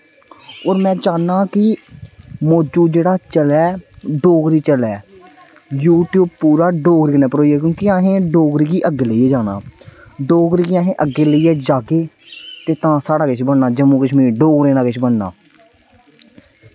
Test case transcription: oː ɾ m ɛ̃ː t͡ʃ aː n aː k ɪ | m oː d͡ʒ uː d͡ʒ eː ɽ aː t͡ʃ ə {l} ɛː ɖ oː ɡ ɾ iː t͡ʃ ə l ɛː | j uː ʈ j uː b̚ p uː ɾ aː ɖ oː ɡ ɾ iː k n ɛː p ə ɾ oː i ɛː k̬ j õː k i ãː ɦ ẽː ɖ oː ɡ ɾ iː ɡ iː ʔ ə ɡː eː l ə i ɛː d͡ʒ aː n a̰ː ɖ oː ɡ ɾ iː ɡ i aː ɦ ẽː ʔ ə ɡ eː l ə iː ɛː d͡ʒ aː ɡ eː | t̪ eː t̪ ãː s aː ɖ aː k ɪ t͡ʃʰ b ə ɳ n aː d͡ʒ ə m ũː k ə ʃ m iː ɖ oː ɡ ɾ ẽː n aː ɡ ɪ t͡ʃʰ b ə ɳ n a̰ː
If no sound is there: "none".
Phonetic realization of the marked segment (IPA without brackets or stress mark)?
l